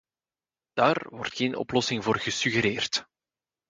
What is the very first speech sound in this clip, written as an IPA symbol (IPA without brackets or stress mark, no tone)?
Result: d̥